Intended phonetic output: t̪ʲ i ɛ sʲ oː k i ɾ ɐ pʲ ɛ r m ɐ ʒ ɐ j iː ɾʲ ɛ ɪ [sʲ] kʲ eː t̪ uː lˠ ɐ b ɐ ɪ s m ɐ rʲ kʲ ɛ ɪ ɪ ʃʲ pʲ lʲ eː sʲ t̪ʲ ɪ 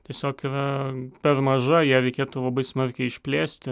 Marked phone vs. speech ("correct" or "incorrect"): incorrect